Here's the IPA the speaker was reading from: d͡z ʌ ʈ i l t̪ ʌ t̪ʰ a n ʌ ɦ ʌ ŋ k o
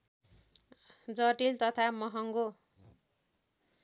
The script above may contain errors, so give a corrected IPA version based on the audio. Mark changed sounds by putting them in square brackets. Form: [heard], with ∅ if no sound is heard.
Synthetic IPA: d͡z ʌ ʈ i l t̪ ʌ t̪ʰ a [m] ʌ ɦ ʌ ŋ [ɡ] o